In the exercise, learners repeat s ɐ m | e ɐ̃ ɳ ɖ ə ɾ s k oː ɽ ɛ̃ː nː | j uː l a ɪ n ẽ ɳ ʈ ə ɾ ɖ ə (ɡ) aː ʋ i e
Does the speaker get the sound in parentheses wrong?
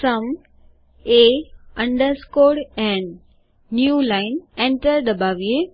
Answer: yes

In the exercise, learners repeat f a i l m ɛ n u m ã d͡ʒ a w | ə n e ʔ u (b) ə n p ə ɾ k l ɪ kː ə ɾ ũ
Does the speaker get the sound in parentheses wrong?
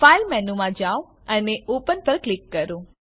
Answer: yes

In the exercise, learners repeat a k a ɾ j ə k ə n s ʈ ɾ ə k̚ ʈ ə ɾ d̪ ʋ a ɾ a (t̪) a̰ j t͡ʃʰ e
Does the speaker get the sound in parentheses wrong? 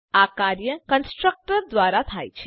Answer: yes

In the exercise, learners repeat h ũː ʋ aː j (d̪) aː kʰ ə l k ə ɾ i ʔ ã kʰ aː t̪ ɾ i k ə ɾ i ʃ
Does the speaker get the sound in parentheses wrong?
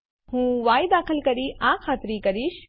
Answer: no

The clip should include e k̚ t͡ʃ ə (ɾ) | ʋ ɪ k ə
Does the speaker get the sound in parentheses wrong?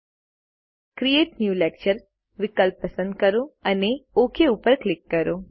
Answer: no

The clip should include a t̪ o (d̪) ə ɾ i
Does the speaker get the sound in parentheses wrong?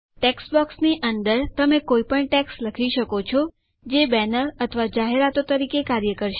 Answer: yes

